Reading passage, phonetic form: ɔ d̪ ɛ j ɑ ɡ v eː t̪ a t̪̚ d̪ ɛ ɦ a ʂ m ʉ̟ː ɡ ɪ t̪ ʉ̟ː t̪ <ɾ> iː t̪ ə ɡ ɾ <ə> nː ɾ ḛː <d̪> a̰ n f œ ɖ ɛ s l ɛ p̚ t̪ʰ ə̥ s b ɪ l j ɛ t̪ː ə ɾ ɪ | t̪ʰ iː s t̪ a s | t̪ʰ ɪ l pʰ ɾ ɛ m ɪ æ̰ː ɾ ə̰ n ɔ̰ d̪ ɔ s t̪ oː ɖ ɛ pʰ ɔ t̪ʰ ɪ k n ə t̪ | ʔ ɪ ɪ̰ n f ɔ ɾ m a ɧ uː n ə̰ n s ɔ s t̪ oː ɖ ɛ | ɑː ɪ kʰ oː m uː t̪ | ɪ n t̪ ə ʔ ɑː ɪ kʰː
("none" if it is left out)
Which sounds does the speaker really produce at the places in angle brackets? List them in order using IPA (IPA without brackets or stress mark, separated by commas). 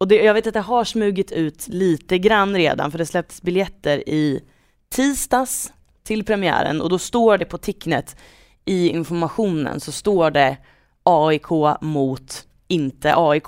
l, a, d̪